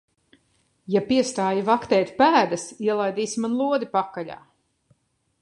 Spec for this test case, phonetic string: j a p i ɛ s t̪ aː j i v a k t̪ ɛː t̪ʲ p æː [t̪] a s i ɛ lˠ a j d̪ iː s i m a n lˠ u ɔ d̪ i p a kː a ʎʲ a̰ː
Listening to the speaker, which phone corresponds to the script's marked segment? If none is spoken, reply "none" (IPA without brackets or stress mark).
d̪